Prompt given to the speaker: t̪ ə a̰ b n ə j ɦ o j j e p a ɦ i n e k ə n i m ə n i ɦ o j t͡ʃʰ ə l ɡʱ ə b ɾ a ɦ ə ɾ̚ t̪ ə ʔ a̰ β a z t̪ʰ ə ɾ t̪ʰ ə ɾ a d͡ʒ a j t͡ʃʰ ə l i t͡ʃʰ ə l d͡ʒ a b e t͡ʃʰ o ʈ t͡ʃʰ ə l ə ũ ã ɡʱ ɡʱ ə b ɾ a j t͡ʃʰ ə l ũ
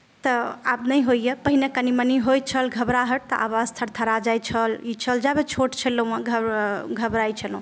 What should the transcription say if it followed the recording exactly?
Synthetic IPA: t̪ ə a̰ b n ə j ɦ o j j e p ə ɦ i n e k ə n i m ə n i ɦ o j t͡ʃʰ ə l ɡʱ ə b ɾ a ɦ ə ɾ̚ t̪ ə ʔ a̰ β a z t̪ʰ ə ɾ t̪ʰ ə ɾ a d͡ʒ a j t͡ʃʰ ə l i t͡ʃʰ ə l d͡ʒ a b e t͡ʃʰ o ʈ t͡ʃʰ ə l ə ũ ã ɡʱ ɡʱ ə b ɾ a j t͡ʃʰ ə l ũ

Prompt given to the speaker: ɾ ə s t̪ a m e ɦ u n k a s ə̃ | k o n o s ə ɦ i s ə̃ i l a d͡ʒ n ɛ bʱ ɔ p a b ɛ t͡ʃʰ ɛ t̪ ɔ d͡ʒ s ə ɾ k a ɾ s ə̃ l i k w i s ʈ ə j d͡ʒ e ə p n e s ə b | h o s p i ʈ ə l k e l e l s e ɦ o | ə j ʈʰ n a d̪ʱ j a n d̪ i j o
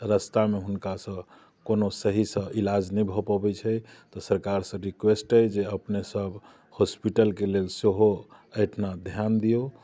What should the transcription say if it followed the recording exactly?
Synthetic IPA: ɾ ə s t̪ a m e ɦ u n k a s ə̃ | k o n o s ə ɦ i s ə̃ i l a d͡ʒ n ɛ bʱ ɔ p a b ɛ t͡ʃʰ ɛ t̪ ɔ s ə ɾ k a ɾ s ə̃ ɾ i k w e s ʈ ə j d͡ʒ e ə p n e s ə b | h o s p i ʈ ə l k e l e l s e ɦ o | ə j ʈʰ n a d̪ʱ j a n d̪ i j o

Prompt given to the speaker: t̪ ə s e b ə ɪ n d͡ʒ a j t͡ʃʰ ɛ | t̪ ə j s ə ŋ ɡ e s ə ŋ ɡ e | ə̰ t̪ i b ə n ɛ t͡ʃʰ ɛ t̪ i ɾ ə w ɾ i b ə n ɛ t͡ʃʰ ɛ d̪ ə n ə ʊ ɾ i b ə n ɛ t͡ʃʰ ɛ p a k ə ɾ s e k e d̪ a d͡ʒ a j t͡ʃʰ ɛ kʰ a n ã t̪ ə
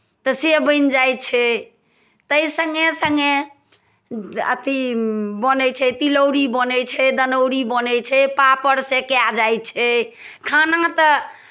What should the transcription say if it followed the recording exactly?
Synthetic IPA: t̪ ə s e b ə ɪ n d͡ʒ a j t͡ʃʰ ɛ | t̪ ə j s ə ŋ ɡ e s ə ŋ ɡ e | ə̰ t̪ i b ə n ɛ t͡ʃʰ ɛ t̪ i l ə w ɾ i b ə n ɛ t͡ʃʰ ɛ d̪ ə n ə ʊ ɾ i b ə n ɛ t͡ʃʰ ɛ p a p ə ɾ s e k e a d͡ʒ a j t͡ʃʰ ɛ kʰ a n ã t̪ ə

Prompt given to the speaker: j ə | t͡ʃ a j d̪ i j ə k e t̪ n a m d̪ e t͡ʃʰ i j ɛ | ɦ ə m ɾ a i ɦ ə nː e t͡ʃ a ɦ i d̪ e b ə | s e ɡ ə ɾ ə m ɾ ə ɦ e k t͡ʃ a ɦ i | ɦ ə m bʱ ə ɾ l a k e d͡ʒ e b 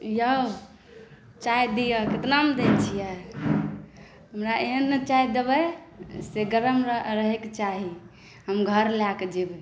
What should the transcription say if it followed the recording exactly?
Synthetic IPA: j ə | t͡ʃ a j d̪ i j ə k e t̪ n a m d̪ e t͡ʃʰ i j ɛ | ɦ ə m ɾ a e ɦ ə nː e t͡ʃ a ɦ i d̪ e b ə | s e ɡ ə ɾ ə m ɾ ə ɦ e k t͡ʃ a ɦ i | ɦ ə m ɡʱ ə ɾ l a k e d͡ʒ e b

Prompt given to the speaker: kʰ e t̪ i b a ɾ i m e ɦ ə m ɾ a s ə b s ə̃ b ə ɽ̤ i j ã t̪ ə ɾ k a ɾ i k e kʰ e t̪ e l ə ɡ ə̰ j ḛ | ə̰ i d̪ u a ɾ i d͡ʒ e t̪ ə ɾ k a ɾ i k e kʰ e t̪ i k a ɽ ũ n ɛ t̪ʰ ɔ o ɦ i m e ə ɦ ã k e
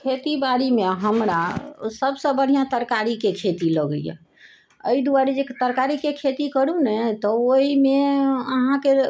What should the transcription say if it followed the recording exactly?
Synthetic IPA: kʰ e t̪ i b a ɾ i m e ɦ ə m ɾ a s ə b s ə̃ b ə ɽ̤ i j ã t̪ ə ɾ k a ɾ i k e kʰ e t̪ i l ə ɡ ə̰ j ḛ | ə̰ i d̪ u a ɾ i d͡ʒ e t̪ ə ɾ k a ɾ i k e kʰ e t̪ i k ə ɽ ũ n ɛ t̪ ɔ o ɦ i m e ə ɦ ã k e

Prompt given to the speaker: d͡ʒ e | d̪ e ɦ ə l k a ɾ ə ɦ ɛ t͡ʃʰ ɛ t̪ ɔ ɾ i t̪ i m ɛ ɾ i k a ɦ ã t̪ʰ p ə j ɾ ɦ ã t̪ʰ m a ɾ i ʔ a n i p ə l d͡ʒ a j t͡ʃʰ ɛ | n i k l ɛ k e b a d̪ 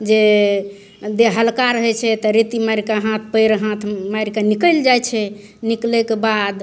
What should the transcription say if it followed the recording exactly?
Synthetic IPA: d͡ʒ e | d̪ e ɦ ə l k a ɾ ə ɦ ɛ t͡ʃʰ ɛ t̪ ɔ ɾ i t̪ i m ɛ ɾ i k a ɦ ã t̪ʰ p ə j ɾ ɦ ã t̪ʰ m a ɾ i k a n i k ə l d͡ʒ a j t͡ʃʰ ɛ | n i k l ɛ k e b a d̪

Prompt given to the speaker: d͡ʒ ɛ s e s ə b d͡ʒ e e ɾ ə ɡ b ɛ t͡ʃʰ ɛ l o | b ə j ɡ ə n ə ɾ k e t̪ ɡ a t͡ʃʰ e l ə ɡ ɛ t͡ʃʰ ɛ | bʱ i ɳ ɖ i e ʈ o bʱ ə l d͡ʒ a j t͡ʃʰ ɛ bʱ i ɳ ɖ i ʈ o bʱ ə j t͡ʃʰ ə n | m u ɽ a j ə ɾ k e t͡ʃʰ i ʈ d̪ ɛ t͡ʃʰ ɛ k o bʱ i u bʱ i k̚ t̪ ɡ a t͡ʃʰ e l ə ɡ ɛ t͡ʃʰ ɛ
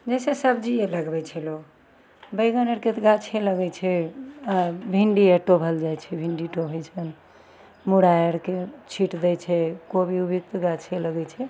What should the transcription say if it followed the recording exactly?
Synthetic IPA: d͡ʒ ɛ s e s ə b d͡ʒ i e l ə ɡ b ɛ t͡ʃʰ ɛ l o | b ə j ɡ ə n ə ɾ k e t̪ ɡ a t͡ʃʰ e l ə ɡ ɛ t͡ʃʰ ɛ | bʱ i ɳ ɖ i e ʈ o bʱ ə l d͡ʒ a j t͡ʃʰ ɛ bʱ i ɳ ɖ i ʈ o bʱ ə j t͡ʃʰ ə n | m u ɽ a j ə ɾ k e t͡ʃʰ i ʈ d̪ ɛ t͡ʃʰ ɛ k o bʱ i u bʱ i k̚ t̪ ɡ a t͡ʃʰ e l ə ɡ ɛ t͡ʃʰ ɛ

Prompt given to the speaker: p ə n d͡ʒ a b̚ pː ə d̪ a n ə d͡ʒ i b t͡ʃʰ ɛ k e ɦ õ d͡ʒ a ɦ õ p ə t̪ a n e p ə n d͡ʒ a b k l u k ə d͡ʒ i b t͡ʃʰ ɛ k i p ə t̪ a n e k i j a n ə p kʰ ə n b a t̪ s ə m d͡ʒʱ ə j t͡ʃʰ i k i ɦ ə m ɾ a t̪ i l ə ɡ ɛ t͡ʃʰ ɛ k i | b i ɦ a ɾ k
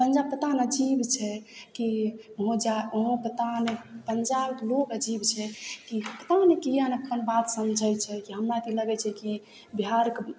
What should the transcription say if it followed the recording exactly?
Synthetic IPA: p ə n d͡ʒ a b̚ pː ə t̪ a n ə d͡ʒ i b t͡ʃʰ ɛ k i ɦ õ d͡ʒ a ɦ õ p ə t̪ a n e p ə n d͡ʒ a b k l o k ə d͡ʒ i b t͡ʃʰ ɛ k i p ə t̪ a n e k i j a n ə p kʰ ə n b a t̪ s ə m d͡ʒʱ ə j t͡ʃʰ ɛ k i ɦ ə m ɾ a t̪ i l ə ɡ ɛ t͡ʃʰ ɛ k i | b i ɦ a ɾ k

